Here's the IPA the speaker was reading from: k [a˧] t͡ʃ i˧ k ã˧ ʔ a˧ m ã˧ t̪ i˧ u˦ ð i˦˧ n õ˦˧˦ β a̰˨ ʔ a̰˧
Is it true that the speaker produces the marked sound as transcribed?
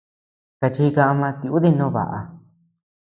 yes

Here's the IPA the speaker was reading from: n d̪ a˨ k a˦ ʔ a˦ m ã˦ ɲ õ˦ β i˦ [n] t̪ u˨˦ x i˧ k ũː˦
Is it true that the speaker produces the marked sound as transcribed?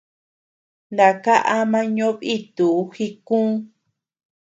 no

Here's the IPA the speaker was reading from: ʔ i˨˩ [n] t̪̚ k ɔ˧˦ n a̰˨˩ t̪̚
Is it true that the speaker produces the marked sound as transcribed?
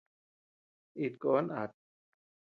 no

